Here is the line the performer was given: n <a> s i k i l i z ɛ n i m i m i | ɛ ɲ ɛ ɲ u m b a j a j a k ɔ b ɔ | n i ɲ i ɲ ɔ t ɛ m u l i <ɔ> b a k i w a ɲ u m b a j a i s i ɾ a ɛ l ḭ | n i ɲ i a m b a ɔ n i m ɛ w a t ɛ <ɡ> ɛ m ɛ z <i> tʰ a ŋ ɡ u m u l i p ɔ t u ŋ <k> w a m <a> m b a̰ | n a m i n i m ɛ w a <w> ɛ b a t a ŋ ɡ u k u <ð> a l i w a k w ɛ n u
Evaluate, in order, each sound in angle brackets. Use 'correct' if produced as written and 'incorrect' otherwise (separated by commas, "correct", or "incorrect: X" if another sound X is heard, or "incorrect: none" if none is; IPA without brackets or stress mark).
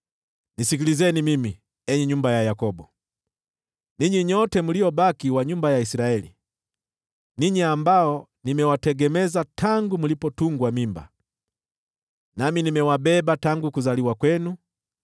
incorrect: i, correct, correct, incorrect: a, incorrect: ɡ, incorrect: i, incorrect: b, incorrect: z